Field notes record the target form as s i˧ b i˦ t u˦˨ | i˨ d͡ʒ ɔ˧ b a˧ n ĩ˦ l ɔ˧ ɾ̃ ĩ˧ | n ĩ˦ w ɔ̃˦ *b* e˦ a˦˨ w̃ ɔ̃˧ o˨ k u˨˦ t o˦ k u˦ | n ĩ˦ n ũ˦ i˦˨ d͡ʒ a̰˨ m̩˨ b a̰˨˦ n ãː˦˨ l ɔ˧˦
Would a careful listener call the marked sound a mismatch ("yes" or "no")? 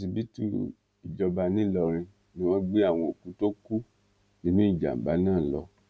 yes